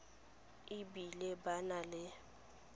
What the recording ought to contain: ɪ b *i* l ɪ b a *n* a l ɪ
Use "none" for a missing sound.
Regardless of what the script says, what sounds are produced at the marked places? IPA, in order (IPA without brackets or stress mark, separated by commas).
i, n